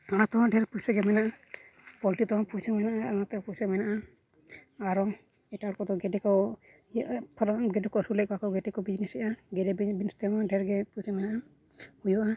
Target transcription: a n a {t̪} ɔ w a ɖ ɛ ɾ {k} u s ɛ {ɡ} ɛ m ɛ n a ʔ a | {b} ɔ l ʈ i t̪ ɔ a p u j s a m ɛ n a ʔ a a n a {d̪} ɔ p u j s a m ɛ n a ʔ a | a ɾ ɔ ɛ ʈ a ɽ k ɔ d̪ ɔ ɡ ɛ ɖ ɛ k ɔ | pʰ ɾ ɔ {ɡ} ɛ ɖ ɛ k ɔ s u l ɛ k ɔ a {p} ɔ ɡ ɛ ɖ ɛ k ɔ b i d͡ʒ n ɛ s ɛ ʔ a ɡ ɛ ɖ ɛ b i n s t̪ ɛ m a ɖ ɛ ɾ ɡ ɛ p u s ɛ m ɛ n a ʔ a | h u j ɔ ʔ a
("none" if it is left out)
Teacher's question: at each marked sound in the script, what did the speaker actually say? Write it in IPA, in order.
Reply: t̪, p, ɡ, p, t̪, ɡ, k

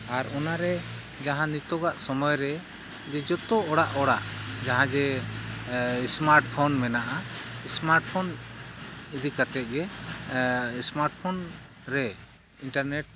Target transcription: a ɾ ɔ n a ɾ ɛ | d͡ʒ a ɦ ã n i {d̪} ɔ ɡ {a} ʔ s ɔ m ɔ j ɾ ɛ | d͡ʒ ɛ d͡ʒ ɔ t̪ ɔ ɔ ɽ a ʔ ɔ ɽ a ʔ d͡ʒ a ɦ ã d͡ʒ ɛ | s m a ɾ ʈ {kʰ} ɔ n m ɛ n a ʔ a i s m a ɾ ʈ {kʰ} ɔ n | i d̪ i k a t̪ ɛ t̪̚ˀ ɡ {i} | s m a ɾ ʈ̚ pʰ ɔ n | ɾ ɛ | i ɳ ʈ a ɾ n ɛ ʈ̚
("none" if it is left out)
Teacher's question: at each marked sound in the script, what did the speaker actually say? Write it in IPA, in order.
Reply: t̪, a, pʰ, pʰ, ɛ

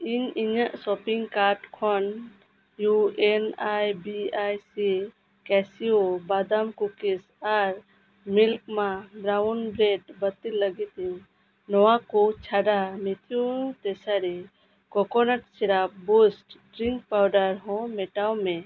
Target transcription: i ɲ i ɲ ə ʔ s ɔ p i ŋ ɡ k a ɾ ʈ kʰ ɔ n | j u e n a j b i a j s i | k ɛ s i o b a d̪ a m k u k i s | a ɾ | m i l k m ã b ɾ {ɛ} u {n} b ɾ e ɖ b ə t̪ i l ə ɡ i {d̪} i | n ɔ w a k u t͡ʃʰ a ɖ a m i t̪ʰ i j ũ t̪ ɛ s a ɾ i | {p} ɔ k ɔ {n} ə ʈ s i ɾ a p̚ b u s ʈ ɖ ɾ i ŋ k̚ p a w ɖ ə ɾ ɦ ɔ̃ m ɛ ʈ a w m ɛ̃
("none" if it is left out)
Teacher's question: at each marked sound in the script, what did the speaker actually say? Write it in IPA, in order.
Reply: a, n, t̪, k, n

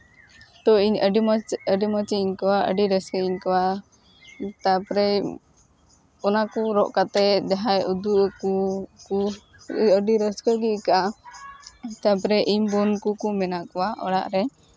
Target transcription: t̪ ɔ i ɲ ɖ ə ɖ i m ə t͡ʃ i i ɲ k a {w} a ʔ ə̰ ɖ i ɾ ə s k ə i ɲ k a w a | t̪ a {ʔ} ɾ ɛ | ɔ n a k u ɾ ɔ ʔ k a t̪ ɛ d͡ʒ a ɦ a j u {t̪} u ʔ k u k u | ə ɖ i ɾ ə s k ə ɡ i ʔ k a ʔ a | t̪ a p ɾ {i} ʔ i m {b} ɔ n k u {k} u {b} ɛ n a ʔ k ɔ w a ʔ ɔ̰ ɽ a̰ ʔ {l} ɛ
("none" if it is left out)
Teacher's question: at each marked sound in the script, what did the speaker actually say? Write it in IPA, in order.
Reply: w, p, d̪, ɛ, b, k, m, ɾ

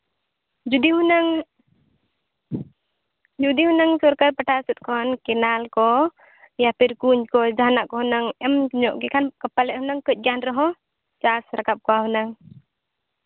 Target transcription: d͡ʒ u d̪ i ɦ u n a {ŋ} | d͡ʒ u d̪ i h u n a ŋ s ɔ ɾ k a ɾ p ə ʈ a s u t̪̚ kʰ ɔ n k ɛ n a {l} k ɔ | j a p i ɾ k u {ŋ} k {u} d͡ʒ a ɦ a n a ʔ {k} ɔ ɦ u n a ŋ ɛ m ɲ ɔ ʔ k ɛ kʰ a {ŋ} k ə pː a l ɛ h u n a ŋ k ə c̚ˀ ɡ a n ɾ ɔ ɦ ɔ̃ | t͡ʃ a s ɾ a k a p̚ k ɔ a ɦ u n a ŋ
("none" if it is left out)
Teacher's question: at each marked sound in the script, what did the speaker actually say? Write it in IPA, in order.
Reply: ŋ, l, ɲ, ɔ, k, n

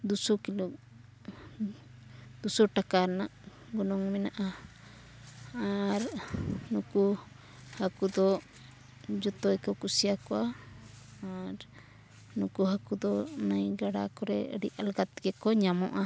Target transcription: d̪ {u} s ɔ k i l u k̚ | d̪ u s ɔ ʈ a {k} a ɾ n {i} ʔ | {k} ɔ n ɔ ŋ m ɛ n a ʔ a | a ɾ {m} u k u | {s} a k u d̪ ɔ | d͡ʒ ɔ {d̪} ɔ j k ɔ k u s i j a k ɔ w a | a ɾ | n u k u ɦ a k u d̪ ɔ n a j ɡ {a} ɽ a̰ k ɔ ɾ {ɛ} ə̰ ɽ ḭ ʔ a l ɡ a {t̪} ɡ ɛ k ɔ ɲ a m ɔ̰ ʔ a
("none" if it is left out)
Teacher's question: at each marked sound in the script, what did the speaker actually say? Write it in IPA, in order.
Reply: u, k, a, ɡ, n, h, t̪, a, ɛ, t̪

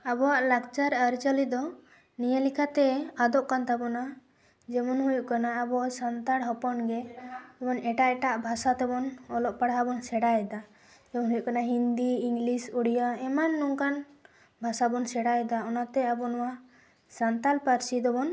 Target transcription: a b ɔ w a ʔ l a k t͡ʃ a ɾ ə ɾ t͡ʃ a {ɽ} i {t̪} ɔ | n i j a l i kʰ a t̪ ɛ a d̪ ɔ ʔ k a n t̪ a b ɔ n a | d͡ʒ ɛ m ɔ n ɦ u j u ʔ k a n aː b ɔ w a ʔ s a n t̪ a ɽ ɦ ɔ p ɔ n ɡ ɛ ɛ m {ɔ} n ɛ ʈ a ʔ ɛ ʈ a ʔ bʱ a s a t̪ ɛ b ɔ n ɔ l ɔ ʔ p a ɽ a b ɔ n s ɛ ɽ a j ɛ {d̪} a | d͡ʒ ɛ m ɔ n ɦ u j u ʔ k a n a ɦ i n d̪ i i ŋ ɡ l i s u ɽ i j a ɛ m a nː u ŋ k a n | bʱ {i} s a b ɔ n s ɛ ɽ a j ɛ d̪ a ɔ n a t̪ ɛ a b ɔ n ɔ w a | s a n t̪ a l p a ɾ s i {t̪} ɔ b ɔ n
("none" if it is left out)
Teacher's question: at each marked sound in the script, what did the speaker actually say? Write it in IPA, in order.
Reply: l, d̪, ɔ, d̪, a, d̪

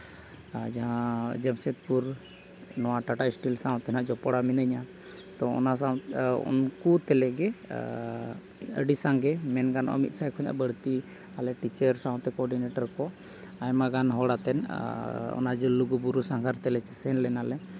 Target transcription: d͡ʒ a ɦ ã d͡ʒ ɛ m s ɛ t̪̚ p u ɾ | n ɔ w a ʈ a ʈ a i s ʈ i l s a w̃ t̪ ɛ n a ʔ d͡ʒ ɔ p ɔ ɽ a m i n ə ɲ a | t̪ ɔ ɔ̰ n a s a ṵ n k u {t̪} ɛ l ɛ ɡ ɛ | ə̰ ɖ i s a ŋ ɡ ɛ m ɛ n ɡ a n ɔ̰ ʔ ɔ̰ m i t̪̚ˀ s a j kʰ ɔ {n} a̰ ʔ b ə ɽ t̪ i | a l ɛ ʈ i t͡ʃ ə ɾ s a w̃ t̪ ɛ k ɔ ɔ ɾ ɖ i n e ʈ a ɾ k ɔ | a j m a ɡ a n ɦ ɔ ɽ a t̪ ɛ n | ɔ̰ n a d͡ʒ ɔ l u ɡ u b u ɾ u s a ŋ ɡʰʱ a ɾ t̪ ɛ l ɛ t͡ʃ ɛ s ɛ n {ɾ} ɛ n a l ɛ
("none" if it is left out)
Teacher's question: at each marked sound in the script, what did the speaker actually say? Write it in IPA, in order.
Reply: t̪, ɲ, l

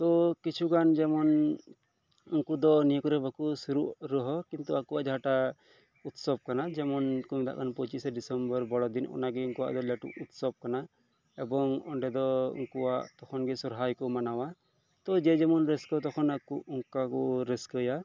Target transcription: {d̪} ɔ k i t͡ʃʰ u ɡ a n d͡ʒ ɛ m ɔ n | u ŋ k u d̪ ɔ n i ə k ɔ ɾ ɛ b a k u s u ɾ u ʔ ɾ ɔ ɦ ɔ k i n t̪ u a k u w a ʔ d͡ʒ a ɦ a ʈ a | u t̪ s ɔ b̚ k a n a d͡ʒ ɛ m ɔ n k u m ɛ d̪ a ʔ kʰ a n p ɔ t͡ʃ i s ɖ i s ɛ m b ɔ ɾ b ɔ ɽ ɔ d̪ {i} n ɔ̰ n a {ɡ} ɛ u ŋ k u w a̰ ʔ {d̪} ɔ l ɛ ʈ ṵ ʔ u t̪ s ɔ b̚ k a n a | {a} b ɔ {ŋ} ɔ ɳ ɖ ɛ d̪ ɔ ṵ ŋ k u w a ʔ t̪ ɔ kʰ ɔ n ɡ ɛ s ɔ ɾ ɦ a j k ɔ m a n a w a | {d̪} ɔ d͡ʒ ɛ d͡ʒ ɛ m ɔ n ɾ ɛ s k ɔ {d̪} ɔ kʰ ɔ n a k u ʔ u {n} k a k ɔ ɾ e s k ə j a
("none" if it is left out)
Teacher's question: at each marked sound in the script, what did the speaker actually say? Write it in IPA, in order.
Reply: t̪, i, ɡ, d̪, ɛ, ŋ, t̪, t̪, ŋ

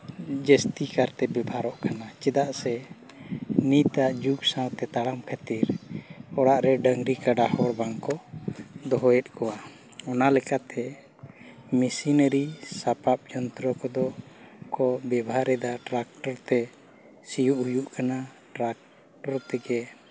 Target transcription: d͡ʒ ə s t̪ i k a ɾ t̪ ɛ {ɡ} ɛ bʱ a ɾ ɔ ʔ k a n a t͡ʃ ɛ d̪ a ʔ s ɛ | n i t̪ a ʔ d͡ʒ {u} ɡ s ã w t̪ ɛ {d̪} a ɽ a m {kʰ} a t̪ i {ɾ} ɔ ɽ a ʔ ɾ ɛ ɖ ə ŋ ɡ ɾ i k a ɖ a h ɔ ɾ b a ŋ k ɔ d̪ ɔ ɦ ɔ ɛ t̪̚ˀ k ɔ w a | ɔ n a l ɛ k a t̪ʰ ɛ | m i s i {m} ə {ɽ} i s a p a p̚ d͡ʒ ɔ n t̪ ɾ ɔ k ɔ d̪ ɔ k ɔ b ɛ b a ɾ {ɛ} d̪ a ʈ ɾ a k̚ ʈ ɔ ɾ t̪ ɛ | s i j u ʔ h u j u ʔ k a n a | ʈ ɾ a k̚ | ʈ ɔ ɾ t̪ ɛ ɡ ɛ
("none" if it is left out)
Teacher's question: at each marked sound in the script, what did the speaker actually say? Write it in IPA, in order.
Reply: b, u, t̪, kʰ, ɾ, n, ɾ, ɛ

